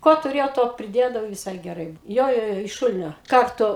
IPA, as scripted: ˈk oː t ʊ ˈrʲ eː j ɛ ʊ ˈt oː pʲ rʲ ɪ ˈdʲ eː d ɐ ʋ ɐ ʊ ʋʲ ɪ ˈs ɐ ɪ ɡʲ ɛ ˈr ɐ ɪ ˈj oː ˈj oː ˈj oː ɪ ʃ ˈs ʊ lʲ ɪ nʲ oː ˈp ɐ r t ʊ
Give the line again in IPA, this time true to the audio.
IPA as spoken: ˈk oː t ʊ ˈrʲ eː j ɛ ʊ ˈt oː pʲ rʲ ɪ ˈdʲ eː d ɐ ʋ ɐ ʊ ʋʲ ɪ ˈs ɐ ɪ ɡʲ ɛ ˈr ɐ ɪ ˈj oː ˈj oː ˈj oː ɪ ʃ ˈʃ ʊ lʲ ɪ nʲ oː ˈk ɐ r t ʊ

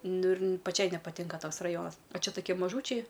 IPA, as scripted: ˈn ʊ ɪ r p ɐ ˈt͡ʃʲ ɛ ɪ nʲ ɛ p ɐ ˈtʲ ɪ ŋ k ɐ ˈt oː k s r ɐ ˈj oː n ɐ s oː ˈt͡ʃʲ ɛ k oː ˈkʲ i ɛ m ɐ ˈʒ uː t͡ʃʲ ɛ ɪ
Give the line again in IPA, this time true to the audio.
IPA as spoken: ˈn ʊ ɪ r p ɐ ˈt͡ʃʲ ɛ ɪ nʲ ɛ p ɐ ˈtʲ ɪ ŋ k ɐ ˈt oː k s r ɐ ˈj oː n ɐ s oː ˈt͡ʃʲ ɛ t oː ˈkʲ i ɛ m ɐ ˈʒ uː t͡ʃʲ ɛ ɪ

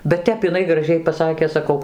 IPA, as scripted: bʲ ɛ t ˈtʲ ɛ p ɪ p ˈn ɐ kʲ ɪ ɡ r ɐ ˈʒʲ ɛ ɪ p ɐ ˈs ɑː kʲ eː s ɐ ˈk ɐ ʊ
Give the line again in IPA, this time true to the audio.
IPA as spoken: bʲ ɛ t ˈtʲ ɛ p ɪ ˈn ɐ ɪ ɡ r ɐ ˈʒʲ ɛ ɪ p ɐ ˈs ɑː kʲ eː s ɐ ˈk ɐ ʊ

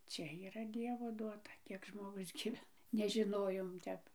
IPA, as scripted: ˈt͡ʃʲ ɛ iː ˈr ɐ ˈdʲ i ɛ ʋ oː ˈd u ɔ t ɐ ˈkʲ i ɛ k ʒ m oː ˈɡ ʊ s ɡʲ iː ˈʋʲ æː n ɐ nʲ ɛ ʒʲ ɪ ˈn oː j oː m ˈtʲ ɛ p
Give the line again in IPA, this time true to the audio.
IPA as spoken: ˈt͡ʃʲ ɛ iː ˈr ɐ ˈdʲ i ɛ ʋ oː ˈd u ɔ t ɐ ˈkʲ i ɛ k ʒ m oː ˈɡ ʊ s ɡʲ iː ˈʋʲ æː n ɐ nʲ ɛ ʒʲ ɪ ˈn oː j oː m ˈtʲ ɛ p

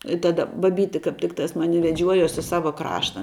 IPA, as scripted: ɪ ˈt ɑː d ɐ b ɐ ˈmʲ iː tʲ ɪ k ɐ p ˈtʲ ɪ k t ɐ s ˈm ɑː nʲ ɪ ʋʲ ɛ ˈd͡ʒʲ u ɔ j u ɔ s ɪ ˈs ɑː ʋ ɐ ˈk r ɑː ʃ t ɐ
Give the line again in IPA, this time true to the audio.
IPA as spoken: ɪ ˈt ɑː d ɐ b ɐ ˈbʲ iː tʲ ɪ k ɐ p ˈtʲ ɪ k t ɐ s ˈm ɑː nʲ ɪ ʋʲ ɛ ˈd͡ʒʲ u ɔ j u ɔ s ɪ ˈs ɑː ʋ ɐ ˈk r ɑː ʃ t ɐ

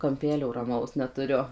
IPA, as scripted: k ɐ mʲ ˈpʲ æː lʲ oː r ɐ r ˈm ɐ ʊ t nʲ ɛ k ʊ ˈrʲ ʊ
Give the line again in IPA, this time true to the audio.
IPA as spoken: k ɐ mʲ ˈpʲ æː lʲ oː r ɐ ˈm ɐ ʊ s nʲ ɛ t ʊ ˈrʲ ʊ

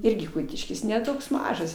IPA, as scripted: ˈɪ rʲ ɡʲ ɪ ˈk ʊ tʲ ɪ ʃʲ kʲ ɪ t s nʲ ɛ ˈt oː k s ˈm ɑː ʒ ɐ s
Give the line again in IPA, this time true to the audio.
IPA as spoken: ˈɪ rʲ ɡʲ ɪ ˈk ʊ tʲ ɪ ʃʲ kʲ ɪ s nʲ ɛ ˈt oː k s ˈm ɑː ʒ ɐ s

